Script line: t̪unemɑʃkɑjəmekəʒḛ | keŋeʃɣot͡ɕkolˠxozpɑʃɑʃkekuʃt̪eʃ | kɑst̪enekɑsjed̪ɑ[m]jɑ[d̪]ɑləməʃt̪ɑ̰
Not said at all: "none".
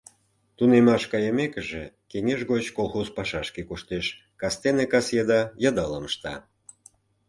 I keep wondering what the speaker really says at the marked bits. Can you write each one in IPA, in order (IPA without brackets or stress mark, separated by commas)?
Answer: none, d̪